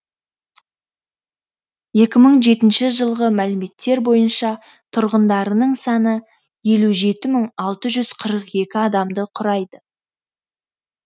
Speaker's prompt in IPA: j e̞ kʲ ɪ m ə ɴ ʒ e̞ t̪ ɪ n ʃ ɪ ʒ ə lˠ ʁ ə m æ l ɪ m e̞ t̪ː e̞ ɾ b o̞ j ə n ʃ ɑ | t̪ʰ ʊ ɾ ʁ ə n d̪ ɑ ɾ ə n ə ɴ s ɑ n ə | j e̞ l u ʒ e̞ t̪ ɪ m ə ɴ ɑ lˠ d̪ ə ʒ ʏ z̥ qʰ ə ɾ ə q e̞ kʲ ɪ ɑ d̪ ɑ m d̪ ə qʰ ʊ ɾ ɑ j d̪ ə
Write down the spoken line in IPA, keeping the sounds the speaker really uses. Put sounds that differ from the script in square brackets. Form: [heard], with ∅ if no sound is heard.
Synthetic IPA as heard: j e̞ kʲ ɪ m ə ɴ ʒ e̞ t̪ ɪ n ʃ ɪ ʒ ə lˠ ʁ ə m æ l ɪ m e̞ t̪ː e̞ ɾ b o̞ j ə n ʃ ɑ | t̪ʰ ʊ ɾ ʁ ə n d̪ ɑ ɾ ə n ə ɴ s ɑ n ə | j e̞ l u ʒ e̞ t̪ ɪ m ə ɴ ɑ lˠ [t̪] ə ʒ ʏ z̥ qʰ ə ɾ ə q e̞ kʲ ɪ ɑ d̪ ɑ m d̪ ə qʰ ʊ ɾ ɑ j d̪ ə